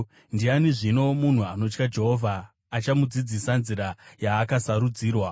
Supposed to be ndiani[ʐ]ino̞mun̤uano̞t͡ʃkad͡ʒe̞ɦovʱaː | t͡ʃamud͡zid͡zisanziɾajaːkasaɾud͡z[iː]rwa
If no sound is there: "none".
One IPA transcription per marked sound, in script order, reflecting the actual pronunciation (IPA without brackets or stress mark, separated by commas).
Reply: ʐ, iː